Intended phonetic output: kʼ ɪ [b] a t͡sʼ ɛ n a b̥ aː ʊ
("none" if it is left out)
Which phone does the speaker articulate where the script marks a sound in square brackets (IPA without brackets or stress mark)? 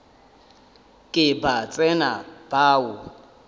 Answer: b